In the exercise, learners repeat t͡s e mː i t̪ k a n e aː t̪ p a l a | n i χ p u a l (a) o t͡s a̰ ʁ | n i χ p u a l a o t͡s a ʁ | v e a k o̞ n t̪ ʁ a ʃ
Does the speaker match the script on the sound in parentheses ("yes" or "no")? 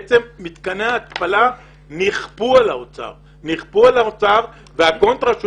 yes